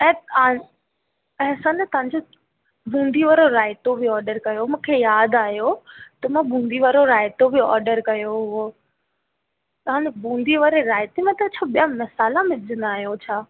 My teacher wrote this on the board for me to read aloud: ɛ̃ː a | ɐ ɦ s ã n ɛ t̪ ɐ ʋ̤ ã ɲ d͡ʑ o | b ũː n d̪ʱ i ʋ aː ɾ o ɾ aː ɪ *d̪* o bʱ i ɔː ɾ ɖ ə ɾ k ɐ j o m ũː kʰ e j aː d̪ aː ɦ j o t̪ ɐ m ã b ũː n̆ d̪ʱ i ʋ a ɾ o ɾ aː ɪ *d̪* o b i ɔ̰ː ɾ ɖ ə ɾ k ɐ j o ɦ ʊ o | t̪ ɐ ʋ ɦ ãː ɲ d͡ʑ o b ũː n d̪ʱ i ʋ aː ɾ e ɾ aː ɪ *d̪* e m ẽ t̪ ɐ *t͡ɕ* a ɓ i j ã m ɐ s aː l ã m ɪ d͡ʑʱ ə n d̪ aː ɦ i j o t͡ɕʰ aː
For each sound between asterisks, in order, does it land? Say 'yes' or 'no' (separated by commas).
no, no, no, no